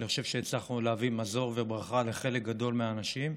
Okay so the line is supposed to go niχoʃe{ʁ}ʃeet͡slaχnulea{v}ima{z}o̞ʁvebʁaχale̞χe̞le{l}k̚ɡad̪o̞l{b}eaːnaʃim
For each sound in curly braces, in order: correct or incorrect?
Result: incorrect: v, correct, correct, incorrect: none, incorrect: m

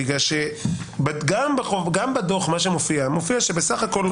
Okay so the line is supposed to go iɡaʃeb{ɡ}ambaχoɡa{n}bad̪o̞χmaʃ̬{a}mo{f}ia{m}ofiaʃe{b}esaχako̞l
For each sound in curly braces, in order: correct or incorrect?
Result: correct, incorrect: m, incorrect: e, correct, correct, correct

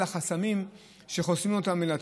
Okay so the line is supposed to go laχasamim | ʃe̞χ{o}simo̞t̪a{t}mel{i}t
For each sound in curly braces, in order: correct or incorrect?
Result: correct, incorrect: none, incorrect: a

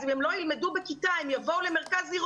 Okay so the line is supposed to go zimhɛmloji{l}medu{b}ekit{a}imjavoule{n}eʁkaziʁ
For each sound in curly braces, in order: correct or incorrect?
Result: correct, correct, correct, incorrect: m

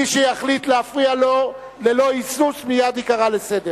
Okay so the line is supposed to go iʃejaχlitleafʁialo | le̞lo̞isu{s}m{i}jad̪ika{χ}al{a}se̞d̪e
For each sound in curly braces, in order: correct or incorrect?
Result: correct, correct, incorrect: ʁ, incorrect: e

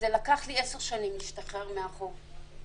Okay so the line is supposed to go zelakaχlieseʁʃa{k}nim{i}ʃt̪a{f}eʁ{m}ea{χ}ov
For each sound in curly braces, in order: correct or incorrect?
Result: incorrect: none, correct, incorrect: χ, correct, correct

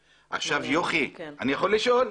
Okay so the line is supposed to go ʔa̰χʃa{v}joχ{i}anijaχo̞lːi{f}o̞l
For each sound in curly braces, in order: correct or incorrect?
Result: correct, correct, incorrect: ʃ

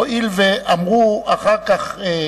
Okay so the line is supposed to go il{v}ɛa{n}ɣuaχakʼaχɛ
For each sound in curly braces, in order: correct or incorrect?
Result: correct, incorrect: m

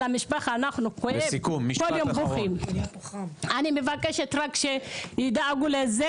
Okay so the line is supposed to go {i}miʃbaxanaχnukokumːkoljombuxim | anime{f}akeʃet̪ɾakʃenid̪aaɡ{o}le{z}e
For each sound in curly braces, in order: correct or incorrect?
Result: incorrect: a, incorrect: v, incorrect: u, correct

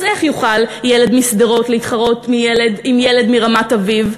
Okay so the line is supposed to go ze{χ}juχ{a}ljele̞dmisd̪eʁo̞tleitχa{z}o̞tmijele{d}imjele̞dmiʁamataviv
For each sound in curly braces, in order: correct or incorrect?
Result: correct, correct, incorrect: ʁ, correct

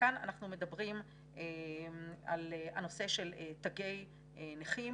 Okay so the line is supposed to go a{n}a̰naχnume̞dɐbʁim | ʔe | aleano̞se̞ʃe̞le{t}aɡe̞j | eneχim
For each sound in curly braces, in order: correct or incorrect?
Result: correct, correct

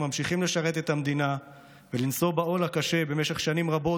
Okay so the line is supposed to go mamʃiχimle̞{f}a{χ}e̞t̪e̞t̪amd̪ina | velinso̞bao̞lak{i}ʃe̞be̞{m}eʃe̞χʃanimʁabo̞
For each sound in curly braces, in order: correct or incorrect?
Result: incorrect: ʃ, incorrect: ʁ, incorrect: a, correct

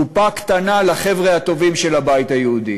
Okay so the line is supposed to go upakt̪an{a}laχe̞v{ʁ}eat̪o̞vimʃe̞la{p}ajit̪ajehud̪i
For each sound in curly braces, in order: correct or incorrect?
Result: correct, correct, incorrect: b

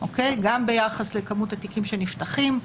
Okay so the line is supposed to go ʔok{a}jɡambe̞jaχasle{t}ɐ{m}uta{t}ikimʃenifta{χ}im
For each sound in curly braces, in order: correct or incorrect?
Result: incorrect: e, incorrect: k, correct, correct, correct

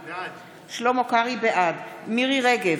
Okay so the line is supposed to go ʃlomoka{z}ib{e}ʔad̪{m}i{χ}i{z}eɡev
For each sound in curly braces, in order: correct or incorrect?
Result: incorrect: ʁ, correct, correct, incorrect: ʁ, incorrect: ʁ

